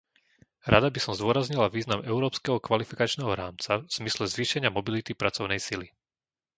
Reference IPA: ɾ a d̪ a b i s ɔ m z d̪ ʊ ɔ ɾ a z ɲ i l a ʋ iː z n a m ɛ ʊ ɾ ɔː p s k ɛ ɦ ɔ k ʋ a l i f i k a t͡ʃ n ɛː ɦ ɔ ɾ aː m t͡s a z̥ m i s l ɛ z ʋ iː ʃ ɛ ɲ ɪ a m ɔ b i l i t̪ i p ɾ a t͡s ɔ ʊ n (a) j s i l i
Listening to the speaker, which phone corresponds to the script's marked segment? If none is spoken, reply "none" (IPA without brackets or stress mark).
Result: ɛ